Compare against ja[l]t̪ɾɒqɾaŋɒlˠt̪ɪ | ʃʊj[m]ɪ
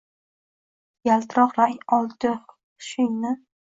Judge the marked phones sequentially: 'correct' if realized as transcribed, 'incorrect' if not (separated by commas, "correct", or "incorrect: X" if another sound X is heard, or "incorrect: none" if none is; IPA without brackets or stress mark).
correct, incorrect: n